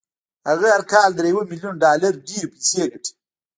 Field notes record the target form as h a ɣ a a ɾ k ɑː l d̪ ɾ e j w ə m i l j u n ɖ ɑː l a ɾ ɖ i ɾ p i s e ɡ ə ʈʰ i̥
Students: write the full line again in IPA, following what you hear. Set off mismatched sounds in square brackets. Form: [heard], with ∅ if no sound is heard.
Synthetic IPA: h a ɣ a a ɾ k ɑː l d̪ ɾ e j w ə m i l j u n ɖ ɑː l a ɾ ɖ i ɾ p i s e ɡ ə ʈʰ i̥